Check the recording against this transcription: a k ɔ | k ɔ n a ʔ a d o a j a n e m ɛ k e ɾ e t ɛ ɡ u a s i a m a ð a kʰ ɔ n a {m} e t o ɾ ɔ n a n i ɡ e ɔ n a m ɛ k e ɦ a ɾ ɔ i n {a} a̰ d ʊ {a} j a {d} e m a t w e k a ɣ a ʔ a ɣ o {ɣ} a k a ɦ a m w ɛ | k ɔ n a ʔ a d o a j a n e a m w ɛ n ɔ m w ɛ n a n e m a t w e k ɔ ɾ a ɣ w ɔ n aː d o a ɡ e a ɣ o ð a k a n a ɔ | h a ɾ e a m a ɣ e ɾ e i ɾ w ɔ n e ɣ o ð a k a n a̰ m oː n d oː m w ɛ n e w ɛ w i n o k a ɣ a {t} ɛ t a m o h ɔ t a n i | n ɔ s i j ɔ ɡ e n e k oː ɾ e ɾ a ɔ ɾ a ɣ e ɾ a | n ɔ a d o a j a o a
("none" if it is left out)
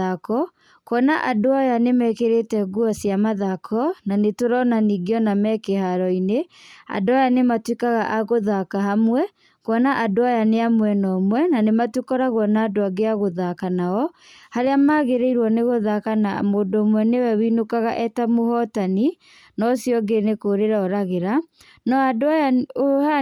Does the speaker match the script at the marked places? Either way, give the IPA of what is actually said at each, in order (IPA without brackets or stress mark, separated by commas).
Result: n, e, a, n, ð, ʔ